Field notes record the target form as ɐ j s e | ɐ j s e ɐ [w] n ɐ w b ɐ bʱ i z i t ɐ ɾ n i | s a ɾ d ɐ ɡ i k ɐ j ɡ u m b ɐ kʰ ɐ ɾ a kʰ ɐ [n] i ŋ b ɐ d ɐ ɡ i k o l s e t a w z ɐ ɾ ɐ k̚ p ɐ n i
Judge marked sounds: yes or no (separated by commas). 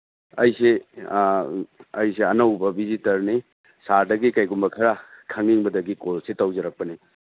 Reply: no, no